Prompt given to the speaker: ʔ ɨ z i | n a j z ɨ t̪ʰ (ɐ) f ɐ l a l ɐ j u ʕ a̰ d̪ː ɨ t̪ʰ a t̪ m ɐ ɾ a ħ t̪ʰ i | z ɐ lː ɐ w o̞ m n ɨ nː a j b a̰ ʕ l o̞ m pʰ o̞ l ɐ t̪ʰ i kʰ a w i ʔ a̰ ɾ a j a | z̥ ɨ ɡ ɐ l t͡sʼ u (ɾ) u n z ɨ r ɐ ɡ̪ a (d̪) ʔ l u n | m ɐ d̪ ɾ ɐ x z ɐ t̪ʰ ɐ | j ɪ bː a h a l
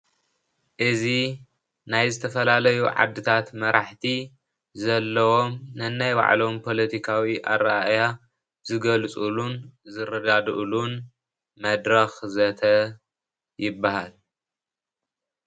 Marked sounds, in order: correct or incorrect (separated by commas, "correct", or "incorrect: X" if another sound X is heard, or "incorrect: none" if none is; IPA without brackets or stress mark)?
correct, incorrect: l, correct